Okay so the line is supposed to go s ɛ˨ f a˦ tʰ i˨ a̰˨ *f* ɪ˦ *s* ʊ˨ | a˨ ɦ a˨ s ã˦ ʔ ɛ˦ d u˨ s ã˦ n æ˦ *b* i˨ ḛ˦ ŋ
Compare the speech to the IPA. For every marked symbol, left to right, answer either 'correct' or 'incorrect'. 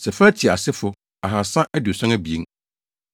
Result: incorrect, incorrect, correct

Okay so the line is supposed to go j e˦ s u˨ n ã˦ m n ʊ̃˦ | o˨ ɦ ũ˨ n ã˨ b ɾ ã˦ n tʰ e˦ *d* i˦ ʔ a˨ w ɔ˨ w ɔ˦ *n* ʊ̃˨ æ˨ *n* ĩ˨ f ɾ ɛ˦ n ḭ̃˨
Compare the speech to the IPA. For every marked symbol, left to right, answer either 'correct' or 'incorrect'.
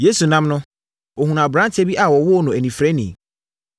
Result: incorrect, correct, correct

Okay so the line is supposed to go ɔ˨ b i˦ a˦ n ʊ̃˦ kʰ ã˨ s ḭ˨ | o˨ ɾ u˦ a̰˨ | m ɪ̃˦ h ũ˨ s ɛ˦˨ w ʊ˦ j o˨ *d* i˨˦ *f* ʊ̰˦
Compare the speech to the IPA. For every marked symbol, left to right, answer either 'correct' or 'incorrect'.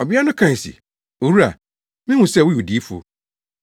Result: correct, correct

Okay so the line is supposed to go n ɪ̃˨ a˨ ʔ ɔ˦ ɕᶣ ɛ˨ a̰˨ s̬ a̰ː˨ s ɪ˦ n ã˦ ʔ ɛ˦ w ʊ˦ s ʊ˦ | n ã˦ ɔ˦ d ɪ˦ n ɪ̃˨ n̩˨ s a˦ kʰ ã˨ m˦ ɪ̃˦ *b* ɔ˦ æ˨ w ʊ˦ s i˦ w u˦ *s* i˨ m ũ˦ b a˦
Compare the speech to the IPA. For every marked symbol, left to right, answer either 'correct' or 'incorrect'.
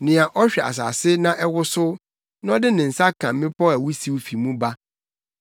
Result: incorrect, incorrect

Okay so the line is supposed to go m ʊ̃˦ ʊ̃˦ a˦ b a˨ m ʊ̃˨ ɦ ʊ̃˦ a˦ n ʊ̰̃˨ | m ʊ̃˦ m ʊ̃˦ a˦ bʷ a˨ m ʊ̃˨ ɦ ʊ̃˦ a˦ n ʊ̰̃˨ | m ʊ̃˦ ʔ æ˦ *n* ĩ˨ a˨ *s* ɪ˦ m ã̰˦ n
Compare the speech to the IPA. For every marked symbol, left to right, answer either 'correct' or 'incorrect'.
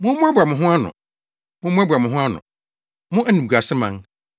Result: correct, correct

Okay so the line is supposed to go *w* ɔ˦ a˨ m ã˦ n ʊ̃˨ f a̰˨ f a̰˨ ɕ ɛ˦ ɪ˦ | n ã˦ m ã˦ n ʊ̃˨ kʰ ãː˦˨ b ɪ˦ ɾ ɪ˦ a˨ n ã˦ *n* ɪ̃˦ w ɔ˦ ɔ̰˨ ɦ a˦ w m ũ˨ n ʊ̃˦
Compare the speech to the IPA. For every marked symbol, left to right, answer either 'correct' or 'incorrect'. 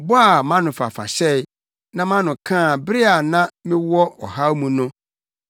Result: incorrect, incorrect

